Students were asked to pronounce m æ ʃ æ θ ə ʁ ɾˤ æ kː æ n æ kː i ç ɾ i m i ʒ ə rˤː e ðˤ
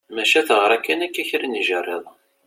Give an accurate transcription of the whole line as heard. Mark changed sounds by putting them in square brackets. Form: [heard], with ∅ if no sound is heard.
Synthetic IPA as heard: m æ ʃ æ θ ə ʁ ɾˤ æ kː æ n æ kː [æ] ç ɾ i [n] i ʒ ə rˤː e ðˤ